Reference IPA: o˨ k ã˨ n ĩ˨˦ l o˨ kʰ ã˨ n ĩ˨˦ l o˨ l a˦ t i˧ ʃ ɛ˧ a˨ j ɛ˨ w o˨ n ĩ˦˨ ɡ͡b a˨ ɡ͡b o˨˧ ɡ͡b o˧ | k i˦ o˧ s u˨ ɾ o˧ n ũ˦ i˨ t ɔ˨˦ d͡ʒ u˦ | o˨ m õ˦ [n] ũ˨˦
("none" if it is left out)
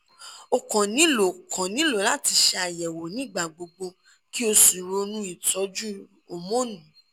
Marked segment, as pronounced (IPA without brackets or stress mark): n